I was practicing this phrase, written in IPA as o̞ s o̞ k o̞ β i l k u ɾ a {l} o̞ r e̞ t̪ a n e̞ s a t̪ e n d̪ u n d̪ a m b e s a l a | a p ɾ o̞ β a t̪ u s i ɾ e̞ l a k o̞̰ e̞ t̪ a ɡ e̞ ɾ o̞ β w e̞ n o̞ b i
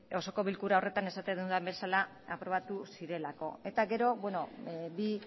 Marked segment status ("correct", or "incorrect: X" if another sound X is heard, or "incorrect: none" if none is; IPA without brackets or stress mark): incorrect: none